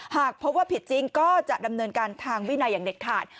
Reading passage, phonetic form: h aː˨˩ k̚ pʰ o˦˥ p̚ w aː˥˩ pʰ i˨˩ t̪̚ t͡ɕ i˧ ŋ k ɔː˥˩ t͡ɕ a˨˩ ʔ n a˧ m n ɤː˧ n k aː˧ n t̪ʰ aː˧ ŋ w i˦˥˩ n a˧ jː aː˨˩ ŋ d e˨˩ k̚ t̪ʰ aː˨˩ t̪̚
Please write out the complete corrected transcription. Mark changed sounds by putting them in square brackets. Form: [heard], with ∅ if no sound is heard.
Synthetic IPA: h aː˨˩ k̚ pʰ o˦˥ p̚ w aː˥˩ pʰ i˨˩ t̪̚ t͡ɕ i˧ ŋ k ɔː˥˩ t͡ɕ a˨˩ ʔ [d] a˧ m n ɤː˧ n k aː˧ n t̪ʰ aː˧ ŋ w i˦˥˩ n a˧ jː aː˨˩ ŋ d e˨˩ k̚ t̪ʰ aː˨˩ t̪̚